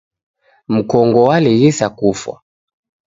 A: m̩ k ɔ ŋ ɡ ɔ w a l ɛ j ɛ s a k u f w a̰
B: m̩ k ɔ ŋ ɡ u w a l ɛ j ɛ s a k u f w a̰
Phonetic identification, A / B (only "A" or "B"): A